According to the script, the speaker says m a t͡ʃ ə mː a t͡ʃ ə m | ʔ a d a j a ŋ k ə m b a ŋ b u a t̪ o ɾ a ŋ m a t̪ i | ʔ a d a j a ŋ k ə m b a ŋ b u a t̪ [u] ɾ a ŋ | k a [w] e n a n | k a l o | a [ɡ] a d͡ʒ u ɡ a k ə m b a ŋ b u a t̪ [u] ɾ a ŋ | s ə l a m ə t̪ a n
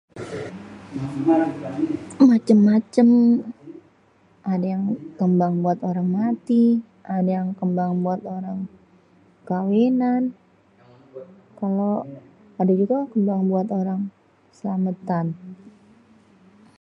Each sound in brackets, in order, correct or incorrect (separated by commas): incorrect, correct, incorrect, incorrect